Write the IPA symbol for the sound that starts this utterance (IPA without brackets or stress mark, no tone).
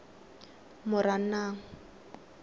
m